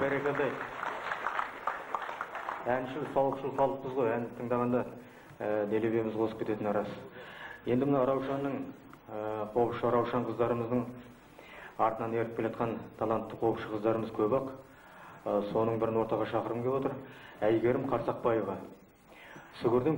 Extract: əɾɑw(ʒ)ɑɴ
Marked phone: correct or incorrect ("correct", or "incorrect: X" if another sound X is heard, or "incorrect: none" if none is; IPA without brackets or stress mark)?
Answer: incorrect: ʃ